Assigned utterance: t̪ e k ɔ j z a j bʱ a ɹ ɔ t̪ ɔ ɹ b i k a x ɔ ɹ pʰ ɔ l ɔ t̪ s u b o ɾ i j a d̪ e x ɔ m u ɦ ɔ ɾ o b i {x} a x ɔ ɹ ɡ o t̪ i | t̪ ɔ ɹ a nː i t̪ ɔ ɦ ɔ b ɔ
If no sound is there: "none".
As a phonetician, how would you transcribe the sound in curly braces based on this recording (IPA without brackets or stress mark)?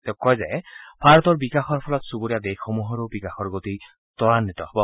k